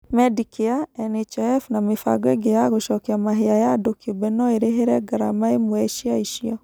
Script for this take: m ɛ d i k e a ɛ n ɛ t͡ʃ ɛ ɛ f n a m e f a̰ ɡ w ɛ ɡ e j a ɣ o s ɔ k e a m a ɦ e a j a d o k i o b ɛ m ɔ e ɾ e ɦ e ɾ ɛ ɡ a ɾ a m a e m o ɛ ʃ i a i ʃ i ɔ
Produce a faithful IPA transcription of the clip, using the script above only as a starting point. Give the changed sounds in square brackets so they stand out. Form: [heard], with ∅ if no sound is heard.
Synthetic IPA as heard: m ɛ d i k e a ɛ n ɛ t͡ʃ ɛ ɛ f n a m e f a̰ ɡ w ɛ ɡ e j a ɣ o [ʃ] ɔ k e a m a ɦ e a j a d o k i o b ɛ [n] ɔ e ɾ e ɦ e ɾ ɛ ɡ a ɾ a m a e m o ɛ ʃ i a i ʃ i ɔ